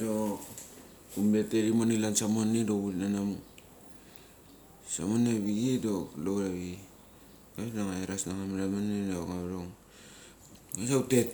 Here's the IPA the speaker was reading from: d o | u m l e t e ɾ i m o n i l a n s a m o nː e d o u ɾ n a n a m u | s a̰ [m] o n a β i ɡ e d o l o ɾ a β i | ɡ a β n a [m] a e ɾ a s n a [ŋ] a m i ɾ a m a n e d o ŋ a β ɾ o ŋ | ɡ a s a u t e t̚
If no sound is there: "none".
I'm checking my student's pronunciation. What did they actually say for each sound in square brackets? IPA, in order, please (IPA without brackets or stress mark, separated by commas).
m, ŋ, ŋ